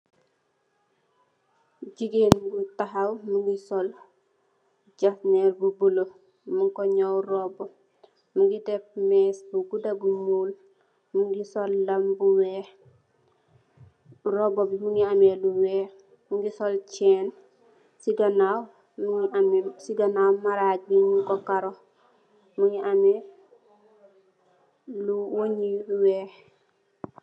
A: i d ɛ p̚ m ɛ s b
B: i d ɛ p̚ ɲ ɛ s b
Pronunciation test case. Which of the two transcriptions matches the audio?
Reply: A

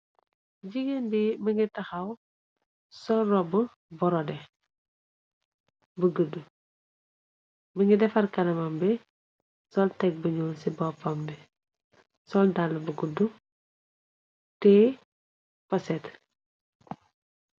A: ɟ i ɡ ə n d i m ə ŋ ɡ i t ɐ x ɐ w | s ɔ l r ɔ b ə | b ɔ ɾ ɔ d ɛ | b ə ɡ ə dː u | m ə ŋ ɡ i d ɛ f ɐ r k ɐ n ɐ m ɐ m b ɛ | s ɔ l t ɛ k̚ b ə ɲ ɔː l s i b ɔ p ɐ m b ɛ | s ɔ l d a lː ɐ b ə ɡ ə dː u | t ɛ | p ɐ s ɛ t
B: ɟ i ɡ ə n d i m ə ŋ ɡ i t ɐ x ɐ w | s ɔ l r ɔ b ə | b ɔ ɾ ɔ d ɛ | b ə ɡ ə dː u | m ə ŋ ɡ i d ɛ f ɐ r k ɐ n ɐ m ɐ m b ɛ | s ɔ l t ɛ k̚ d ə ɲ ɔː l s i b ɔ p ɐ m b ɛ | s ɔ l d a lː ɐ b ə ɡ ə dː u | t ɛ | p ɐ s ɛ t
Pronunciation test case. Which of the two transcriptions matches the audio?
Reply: A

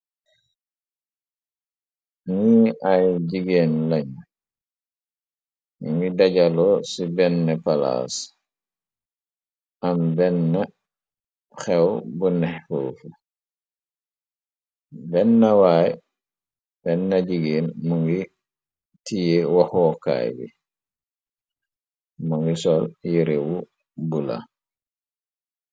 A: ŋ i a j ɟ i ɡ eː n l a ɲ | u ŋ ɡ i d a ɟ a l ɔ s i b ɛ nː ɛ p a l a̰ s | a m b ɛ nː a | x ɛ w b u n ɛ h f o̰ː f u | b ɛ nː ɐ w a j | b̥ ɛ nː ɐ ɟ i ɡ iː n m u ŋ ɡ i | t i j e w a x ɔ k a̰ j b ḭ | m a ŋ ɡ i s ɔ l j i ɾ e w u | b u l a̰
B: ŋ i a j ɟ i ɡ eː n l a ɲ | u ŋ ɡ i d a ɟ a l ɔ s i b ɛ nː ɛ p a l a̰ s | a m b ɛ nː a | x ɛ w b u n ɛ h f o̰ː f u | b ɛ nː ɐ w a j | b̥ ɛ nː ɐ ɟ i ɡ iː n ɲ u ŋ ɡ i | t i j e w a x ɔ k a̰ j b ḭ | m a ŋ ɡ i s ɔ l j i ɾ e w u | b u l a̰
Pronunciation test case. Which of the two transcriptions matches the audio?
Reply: A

